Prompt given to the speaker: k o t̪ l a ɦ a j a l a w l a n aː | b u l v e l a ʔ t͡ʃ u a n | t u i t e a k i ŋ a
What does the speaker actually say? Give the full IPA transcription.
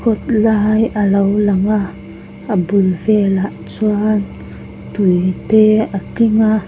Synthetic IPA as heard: k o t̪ l a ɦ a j a l a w l a ŋ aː | b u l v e l a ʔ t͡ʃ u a n | t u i t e a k i ŋ a